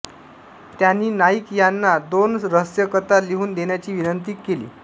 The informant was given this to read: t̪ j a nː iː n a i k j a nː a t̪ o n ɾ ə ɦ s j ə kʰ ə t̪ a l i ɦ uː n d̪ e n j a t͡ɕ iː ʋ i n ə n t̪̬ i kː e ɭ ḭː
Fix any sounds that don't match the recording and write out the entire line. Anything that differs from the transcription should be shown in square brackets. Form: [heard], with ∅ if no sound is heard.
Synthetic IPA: t̪ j a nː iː n a i k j a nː a [d̪] o n ɾ ə ɦ s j ə [k] ə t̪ a l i ɦ uː n d̪ e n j a t͡ɕ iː ʋ i n ə n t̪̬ i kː e [l] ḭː